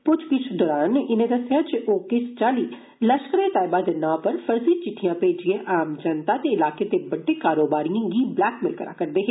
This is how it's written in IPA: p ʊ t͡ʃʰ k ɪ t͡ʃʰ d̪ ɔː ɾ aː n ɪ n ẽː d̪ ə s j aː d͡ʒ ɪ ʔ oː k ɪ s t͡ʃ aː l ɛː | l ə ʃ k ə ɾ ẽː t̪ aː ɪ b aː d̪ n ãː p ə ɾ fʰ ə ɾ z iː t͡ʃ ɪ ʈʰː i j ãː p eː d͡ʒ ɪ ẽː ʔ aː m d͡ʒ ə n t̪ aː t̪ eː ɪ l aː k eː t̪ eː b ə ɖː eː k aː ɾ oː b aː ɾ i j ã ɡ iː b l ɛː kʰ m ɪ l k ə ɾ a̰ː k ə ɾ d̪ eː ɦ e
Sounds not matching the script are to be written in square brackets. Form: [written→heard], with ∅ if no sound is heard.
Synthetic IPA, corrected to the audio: p ʊ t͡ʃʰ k ɪ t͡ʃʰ d̪ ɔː ɾ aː n ɪ n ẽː d̪ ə s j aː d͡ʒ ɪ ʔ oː k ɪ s t͡ʃ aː l [ɛː→iː] | l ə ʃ k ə ɾ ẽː t̪ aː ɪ b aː d̪ n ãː p ə ɾ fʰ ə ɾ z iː t͡ʃ ɪ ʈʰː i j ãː p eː d͡ʒ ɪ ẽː ʔ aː m d͡ʒ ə n t̪ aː t̪ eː ɪ l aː k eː t̪ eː b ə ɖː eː k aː ɾ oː b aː ɾ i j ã ɡ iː b l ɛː [kʰ→k] m ɪ l k ə ɾ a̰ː k ə ɾ d̪ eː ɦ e